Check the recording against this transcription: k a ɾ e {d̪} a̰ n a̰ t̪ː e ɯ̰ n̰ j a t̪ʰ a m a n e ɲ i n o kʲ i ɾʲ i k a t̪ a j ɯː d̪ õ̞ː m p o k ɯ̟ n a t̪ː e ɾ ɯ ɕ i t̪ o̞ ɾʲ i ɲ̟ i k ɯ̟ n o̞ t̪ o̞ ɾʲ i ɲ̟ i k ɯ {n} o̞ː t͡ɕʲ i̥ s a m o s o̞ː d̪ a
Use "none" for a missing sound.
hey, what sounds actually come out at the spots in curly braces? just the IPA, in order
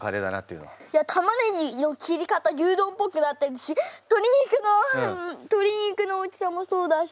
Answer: d̪, n

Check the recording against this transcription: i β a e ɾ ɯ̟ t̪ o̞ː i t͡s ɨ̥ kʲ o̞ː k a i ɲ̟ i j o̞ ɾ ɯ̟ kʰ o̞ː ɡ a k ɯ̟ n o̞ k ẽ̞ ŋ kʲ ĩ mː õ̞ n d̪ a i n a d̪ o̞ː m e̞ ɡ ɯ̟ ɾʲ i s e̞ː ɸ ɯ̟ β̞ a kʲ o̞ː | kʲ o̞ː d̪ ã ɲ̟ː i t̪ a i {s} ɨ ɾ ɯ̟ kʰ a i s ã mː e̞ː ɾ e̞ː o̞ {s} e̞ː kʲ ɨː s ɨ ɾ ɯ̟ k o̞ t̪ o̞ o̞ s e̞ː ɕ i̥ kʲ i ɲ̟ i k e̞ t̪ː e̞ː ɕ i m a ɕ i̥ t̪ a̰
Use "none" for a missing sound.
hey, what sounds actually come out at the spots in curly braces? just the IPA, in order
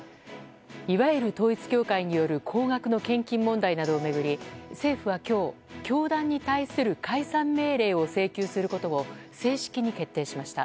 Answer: s, s

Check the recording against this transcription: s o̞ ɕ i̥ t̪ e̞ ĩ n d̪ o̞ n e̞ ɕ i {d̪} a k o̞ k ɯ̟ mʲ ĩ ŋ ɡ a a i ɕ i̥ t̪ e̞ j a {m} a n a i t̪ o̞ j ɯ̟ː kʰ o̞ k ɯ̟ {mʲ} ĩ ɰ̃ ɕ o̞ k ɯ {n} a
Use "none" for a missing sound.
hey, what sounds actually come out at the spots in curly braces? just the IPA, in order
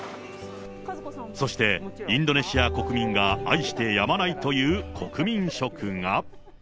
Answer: none, m, mʲ, ŋ

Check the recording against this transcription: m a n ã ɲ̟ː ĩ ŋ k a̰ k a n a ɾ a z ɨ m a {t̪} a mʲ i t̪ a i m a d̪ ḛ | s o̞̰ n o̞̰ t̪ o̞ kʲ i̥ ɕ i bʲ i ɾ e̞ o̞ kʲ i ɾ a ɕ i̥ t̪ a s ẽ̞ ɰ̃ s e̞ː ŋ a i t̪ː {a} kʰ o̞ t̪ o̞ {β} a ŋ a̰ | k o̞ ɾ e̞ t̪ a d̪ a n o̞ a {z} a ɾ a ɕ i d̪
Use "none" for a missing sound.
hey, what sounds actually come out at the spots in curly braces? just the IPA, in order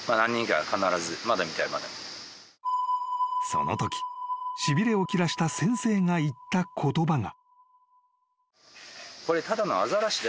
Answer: d̪, a, b, z

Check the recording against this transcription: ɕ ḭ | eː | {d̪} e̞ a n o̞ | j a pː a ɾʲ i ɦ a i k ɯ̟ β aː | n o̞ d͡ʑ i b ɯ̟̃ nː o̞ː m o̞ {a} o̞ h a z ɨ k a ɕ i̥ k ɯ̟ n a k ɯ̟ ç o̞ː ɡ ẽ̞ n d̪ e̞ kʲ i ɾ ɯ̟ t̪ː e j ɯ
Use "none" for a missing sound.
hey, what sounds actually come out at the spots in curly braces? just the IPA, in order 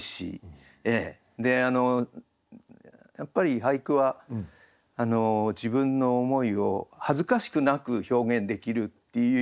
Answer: d̪, i

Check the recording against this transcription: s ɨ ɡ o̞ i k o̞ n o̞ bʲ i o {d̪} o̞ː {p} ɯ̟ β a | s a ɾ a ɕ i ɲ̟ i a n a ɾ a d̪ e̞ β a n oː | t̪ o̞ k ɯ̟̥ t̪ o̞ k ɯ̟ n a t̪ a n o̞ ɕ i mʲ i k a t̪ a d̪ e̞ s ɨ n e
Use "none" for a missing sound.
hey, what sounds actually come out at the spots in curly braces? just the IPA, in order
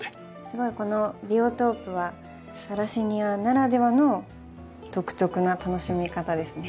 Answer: t̪, p

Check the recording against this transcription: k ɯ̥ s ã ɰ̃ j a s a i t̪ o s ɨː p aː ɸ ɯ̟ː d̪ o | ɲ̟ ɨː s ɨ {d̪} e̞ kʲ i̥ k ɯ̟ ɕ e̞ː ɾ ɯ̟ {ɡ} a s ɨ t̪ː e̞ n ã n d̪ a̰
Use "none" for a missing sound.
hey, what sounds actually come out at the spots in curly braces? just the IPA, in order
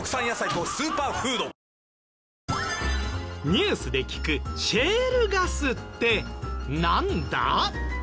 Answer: d̪, ɡ

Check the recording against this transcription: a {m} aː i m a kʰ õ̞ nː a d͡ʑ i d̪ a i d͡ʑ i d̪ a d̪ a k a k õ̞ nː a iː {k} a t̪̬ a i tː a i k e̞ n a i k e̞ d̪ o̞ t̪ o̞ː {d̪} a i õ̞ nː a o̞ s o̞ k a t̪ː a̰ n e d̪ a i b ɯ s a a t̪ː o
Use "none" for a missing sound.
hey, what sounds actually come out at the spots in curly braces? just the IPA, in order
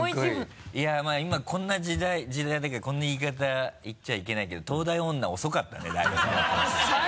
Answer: m, k, d̪

